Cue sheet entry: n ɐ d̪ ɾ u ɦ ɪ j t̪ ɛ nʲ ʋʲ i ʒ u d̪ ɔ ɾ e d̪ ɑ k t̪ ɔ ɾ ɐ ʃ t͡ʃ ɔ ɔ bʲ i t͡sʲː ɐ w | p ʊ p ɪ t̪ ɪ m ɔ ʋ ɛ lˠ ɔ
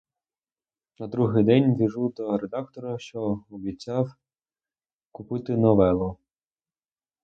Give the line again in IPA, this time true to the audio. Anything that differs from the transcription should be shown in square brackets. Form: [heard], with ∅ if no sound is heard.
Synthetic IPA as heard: n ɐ d̪ ɾ u ɦ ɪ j [d̪] ɛ nʲ ʋʲ i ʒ u d̪ ɔ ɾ e d̪ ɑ k t̪ ɔ ɾ ɐ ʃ t͡ʃ ɔ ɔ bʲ i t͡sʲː [ɑ] w | [k] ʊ p ɪ t̪ ɪ [n] ɔ ʋ ɛ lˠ ɔ

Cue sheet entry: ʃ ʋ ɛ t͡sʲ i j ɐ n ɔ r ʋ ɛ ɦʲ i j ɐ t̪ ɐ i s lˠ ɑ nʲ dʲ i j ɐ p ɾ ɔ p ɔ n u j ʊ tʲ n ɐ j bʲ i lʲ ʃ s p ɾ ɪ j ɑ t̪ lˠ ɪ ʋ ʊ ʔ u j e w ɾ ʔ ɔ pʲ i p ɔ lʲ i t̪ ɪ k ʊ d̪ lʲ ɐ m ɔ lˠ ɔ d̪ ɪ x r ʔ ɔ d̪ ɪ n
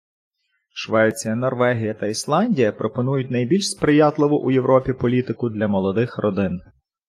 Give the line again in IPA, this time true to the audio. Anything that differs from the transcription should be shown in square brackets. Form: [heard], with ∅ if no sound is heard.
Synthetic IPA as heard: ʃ ʋ ɛ t͡sʲ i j ɐ n ɔ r ʋ ɛ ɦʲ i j ɐ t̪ ɐ i s lˠ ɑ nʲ dʲ i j ɐ p ɾ ɔ p ɔ n u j ʊ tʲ n ɐ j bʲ i lʲ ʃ s p ɾ ɪ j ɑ t̪ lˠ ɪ ʋ ʊ ʔ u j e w ɾ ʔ ɔ pʲ i p ɔ lʲ i t̪ ɪ k ʊ d̪ lʲ ɐ m ɔ lˠ ɔ d̪ ɪ x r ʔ ɔ d̪ ɪ n

